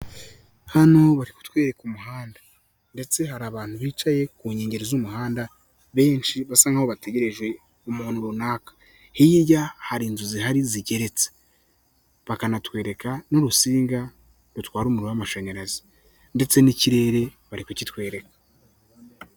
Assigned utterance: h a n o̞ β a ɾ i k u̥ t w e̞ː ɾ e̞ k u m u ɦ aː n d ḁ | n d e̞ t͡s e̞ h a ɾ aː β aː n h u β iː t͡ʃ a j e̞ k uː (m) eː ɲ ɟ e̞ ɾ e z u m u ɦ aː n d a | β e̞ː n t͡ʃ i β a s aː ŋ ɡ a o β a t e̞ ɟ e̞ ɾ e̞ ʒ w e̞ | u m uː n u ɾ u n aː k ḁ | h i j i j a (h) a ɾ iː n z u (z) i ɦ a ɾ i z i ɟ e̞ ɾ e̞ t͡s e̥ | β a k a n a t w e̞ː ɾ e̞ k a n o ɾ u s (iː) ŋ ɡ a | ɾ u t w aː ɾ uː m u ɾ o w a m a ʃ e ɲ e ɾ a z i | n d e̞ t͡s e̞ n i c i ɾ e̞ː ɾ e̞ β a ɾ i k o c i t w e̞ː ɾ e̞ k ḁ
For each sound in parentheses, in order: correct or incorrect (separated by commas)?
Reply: incorrect, correct, correct, correct